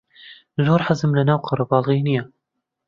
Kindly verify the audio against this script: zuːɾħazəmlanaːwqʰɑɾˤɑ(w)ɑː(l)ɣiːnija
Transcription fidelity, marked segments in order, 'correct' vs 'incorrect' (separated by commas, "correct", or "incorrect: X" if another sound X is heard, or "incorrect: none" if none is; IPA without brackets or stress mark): incorrect: b, correct